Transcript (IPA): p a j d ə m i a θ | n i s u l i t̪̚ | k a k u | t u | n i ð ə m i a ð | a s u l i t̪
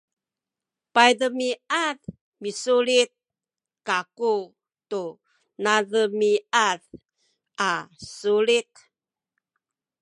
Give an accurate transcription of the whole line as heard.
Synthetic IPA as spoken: p a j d ə m i a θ | m i s u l i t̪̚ | k a k u | t u | n a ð ə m i a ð | a s u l i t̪